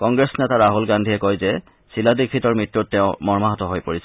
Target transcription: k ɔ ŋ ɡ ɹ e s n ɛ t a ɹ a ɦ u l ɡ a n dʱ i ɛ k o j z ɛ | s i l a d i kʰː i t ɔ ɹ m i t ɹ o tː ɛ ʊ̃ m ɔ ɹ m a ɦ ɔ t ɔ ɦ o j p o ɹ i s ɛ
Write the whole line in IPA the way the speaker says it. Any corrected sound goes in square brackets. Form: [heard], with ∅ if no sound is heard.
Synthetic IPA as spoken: k ɔ ŋ ɡ ɹ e s n ɛ t a ɹ a ɦ u l ɡ a n dʱ i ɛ k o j z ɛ | s i l a d i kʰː i t ɔ ɹ m i t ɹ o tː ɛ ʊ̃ m ɔ ɹ m a ɦ ɔ t ɔ ɦ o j p o ɹ i s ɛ